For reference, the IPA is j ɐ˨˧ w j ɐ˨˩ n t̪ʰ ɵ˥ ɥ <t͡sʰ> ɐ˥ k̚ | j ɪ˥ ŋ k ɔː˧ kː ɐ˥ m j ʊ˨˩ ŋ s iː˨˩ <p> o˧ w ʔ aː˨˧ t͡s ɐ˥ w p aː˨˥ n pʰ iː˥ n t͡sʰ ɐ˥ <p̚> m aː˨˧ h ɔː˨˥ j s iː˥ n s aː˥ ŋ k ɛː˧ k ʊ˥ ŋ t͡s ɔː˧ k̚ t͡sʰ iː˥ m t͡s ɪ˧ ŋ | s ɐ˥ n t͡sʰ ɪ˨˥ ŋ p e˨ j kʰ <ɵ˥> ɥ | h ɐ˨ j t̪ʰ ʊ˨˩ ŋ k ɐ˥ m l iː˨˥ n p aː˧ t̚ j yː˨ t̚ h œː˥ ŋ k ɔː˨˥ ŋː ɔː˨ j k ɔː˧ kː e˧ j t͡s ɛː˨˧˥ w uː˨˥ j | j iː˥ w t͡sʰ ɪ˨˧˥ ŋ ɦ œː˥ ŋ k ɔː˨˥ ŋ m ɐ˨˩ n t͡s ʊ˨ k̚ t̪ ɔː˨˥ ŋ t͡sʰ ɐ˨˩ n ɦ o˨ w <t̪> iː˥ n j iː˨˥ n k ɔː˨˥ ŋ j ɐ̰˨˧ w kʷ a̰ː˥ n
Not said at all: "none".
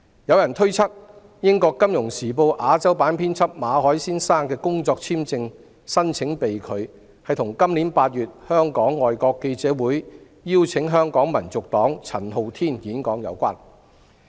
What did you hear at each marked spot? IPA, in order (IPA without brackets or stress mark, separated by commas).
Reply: t͡sʰ, p, p̚, ɵ˨˧, t̪ʰ